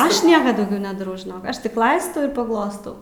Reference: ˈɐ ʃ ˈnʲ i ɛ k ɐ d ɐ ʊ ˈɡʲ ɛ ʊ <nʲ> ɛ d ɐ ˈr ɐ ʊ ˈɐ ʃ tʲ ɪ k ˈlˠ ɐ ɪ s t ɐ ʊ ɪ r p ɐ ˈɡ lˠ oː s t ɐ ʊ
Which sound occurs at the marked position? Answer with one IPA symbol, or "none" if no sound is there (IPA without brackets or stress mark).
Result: nʲ